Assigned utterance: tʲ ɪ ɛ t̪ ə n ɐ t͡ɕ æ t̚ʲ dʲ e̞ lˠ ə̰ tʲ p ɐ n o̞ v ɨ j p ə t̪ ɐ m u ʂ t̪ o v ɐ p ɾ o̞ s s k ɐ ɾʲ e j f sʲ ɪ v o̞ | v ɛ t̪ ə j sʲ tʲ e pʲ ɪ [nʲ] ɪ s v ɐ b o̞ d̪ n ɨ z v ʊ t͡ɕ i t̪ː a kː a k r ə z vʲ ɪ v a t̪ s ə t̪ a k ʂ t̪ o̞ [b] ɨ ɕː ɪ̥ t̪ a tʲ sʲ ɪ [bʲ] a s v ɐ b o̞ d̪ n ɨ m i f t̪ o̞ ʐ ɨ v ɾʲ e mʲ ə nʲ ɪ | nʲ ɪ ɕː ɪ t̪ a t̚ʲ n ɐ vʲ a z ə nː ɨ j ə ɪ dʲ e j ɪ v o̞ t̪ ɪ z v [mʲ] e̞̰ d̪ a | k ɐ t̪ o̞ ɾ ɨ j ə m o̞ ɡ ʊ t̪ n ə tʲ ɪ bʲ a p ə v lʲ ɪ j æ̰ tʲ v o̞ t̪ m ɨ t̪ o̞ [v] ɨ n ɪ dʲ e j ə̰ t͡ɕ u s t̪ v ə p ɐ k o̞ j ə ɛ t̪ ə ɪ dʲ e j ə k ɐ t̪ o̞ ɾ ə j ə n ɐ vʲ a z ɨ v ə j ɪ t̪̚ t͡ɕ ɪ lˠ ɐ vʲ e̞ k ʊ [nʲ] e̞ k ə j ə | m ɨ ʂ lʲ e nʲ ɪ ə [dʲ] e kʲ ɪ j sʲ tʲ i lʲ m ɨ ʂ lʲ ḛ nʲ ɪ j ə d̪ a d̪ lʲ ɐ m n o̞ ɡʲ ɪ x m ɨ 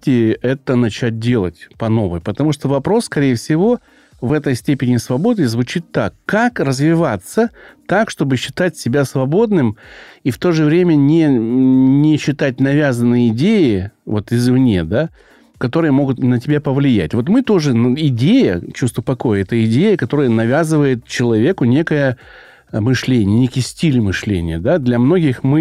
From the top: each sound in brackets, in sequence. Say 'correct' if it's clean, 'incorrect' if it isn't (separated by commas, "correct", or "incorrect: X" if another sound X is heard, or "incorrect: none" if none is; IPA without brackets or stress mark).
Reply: correct, correct, correct, incorrect: nʲ, incorrect: ʐ, correct, incorrect: nʲ